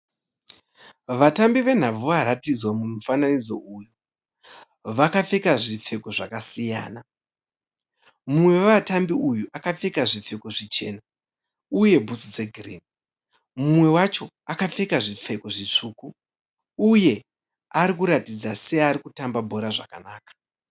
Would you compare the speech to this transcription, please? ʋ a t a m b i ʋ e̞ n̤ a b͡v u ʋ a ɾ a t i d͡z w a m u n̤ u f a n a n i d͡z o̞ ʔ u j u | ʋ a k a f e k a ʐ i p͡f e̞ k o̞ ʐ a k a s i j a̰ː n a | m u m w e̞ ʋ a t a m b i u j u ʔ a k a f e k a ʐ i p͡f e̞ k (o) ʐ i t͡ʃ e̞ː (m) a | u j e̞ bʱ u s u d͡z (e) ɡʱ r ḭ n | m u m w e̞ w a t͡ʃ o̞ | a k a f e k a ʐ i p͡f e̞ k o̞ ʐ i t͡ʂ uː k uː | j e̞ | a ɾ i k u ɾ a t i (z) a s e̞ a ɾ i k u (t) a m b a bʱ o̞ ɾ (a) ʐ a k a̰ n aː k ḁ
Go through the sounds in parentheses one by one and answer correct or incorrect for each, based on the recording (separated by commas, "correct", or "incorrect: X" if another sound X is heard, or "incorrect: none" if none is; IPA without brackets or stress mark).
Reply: correct, incorrect: n, correct, incorrect: d͡z, correct, correct